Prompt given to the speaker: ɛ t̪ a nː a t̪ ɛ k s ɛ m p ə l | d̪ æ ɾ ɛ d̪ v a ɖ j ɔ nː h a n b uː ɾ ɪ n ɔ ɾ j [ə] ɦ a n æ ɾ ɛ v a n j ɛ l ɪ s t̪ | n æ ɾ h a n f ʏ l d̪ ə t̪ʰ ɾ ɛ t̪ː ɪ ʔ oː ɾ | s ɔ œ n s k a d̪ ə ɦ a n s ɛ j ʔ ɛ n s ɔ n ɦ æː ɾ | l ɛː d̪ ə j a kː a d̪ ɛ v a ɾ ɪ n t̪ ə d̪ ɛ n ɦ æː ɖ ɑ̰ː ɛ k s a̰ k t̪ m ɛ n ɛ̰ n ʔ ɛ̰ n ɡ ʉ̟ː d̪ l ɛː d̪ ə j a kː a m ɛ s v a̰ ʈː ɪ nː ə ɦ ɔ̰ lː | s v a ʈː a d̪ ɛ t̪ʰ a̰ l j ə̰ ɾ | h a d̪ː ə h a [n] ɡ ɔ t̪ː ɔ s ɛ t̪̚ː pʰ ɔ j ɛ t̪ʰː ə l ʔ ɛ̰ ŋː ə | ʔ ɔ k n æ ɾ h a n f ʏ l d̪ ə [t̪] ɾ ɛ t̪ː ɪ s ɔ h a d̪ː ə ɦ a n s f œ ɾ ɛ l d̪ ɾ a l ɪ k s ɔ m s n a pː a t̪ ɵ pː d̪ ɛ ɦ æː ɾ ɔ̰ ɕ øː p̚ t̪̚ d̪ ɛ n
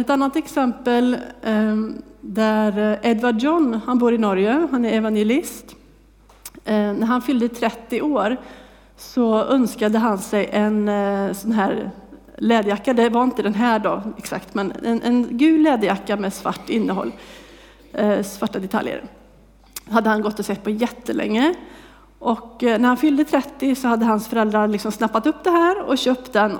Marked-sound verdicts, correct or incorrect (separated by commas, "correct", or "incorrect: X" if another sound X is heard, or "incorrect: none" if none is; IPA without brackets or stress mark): correct, correct, incorrect: t̪ʰ